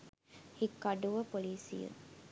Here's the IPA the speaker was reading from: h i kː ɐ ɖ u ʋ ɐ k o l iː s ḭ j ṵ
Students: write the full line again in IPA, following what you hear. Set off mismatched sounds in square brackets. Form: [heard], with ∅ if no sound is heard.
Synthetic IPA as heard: h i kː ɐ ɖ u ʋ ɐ [p] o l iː s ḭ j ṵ